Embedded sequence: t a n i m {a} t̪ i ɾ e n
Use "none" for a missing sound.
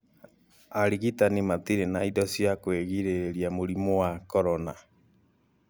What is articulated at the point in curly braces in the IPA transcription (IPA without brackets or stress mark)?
a